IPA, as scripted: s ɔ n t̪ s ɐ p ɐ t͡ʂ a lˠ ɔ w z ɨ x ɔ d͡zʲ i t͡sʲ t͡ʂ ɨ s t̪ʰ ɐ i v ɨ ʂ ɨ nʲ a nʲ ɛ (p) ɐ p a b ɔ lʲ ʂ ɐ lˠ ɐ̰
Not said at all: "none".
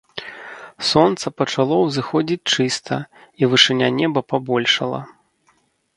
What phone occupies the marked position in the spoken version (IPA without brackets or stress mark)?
b